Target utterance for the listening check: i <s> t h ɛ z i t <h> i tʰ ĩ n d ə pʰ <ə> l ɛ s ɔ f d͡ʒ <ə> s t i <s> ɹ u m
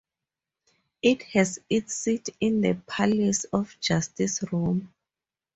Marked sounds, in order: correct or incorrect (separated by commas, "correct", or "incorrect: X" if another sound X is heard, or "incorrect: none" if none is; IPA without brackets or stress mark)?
incorrect: none, incorrect: s, incorrect: a, incorrect: a, correct